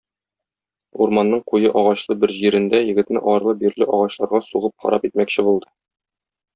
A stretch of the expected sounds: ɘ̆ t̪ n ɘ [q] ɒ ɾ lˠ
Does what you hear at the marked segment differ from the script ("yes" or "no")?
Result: yes